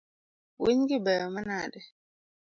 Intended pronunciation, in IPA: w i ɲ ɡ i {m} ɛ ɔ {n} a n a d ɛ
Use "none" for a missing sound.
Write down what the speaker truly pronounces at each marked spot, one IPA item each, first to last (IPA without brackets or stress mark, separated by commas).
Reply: b, m